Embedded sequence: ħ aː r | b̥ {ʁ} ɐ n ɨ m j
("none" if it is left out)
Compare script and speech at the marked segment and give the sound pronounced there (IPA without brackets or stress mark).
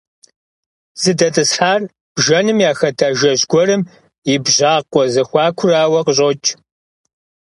ʒ